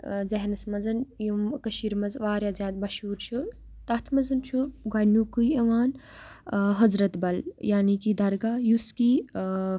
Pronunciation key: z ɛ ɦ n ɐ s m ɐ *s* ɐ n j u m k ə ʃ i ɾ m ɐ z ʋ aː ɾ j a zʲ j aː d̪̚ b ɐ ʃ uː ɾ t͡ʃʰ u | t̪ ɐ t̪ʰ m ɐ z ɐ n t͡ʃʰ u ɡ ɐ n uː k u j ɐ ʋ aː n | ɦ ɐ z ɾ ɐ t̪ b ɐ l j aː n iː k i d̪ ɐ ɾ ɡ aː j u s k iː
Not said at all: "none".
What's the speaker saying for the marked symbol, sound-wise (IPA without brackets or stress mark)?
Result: z